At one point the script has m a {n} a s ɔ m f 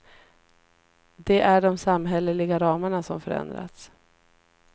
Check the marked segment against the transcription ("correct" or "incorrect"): incorrect